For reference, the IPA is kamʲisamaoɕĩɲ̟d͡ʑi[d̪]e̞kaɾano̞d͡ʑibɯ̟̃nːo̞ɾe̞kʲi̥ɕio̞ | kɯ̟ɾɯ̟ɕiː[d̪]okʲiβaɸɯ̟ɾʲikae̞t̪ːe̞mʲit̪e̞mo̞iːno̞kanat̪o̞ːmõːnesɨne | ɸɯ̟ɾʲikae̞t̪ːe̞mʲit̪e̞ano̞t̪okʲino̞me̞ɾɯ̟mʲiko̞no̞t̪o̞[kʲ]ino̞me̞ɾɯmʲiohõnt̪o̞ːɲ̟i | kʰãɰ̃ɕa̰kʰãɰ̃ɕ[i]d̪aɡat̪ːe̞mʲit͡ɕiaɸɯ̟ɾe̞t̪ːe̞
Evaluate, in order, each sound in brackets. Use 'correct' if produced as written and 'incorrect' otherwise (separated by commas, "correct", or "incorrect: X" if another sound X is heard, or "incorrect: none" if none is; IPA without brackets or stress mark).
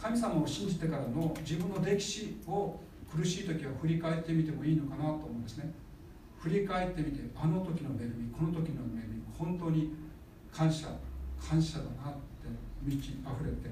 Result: incorrect: t̪, incorrect: t̪, correct, incorrect: a